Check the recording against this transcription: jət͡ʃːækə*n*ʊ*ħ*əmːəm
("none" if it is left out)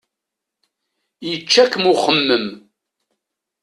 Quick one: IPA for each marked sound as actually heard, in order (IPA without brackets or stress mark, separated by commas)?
m, χ